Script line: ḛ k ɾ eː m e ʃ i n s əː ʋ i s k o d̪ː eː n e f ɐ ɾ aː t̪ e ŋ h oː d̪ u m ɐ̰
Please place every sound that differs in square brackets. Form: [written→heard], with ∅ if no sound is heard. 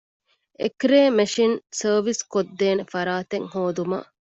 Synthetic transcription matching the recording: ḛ k ɾ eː m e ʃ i n s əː ʋ i s k o d̪ː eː n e f ɐ ɾ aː t̪ e ŋ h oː d̪ u m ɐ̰